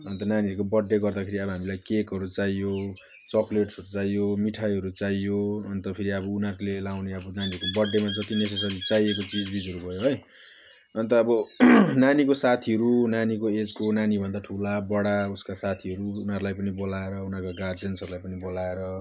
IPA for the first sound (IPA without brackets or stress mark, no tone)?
ʌ